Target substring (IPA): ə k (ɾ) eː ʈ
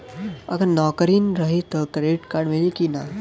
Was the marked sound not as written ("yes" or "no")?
no